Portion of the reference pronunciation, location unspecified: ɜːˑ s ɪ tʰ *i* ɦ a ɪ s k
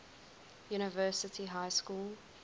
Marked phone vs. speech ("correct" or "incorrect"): correct